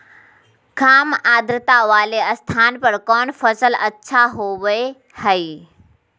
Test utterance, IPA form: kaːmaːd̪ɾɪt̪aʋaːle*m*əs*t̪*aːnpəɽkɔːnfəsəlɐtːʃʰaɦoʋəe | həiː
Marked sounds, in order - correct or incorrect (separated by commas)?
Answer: incorrect, incorrect